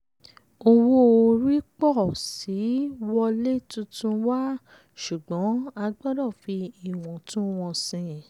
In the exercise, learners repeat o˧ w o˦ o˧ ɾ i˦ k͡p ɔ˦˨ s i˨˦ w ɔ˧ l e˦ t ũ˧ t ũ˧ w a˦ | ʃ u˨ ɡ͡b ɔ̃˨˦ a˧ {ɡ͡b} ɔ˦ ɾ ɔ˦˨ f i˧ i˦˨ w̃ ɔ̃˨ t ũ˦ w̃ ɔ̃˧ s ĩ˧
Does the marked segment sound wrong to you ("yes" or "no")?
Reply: no